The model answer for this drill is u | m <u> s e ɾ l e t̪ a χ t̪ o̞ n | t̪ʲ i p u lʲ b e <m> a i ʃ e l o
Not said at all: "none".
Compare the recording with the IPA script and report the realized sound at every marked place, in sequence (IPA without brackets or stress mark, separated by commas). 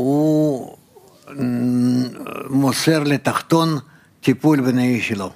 o, n